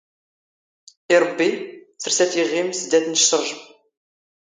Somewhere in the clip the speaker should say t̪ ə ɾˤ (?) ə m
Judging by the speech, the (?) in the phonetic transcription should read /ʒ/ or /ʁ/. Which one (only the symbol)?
ʒ